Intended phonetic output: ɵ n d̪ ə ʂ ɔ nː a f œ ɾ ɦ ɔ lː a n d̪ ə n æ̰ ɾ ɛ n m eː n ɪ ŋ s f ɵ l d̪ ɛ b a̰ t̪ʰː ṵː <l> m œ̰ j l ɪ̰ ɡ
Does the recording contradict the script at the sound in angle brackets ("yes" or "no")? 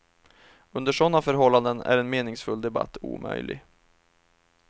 yes